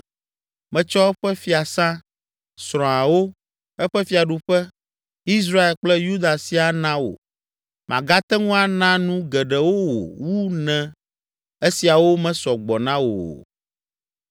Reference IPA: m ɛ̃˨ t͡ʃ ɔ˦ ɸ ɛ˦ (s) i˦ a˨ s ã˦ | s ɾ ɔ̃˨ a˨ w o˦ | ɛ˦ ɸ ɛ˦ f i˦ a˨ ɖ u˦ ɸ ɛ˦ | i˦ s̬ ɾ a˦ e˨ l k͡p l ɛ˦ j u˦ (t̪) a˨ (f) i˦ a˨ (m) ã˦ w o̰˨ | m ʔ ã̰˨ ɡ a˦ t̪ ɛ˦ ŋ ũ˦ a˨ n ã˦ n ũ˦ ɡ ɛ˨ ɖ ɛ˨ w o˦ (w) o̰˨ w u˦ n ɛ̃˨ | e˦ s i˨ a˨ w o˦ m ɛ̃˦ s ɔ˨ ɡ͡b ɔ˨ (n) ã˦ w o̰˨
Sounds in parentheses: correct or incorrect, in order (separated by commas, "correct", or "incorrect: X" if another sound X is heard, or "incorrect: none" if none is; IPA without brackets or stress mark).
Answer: incorrect: f, incorrect: d̪, incorrect: s, incorrect: n, correct, correct